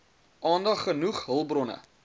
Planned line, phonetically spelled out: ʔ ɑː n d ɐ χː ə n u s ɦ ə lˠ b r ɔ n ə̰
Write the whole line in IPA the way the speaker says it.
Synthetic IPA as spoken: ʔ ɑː n d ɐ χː ə n u χ ɦ ə lˠ b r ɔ n ə̰